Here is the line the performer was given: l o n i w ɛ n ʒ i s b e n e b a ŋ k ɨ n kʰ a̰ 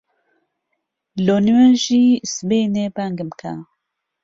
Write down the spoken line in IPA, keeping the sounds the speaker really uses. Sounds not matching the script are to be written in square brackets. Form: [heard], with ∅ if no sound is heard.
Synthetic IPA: l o n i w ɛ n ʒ i s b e n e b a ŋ [ɡ] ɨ [m] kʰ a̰